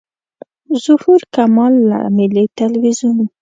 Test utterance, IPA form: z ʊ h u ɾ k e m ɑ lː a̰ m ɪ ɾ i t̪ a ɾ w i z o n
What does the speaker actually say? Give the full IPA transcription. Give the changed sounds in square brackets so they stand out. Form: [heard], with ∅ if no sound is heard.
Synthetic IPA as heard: z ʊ h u ɾ k [a] m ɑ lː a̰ m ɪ [l] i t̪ a [l] w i z [u] n